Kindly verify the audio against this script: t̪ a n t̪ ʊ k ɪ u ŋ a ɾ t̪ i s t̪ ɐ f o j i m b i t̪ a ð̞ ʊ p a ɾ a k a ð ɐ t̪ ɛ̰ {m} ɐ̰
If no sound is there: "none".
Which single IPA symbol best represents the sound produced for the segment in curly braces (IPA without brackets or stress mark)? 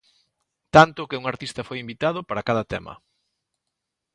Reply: m